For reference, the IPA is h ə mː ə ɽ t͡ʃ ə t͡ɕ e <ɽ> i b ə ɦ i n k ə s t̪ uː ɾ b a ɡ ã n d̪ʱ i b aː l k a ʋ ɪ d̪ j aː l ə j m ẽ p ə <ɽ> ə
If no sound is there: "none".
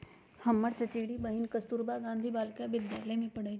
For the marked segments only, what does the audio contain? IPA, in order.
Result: ɽ, ɽ

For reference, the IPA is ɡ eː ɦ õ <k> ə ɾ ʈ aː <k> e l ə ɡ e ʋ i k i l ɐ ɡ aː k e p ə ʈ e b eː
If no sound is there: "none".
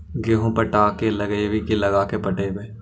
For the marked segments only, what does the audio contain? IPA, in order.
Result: p, k

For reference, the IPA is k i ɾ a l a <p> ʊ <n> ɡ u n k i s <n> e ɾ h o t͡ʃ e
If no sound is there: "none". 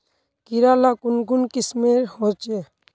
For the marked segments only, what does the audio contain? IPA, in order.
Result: k, n, m

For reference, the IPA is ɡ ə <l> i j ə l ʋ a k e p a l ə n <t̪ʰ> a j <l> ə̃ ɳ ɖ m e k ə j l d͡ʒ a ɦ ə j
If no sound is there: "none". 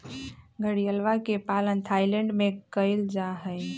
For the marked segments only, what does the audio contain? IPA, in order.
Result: ɽ, t̪ʰ, l

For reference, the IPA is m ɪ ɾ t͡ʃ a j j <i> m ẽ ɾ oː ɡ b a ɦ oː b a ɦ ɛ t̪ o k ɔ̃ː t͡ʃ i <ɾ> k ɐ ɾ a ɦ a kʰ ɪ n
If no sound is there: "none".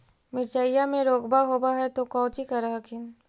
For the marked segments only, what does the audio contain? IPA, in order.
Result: a, none

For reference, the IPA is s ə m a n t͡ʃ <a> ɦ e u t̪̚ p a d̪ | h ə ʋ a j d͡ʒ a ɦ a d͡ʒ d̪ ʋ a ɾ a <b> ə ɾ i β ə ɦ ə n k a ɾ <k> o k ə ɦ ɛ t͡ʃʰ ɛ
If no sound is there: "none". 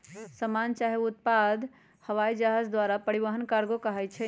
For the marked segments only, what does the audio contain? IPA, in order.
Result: a, p, ɡ

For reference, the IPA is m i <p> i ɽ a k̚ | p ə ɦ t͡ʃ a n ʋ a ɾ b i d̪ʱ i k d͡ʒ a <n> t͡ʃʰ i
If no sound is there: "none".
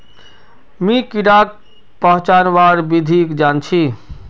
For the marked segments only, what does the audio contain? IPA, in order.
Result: k, n

